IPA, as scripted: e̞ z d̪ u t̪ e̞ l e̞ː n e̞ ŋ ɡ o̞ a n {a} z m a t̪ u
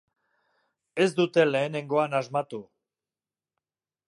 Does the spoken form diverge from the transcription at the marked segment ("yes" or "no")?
no